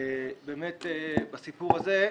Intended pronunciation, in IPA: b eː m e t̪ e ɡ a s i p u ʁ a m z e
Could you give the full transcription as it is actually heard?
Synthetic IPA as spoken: b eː m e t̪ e b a s i p u ʁ a z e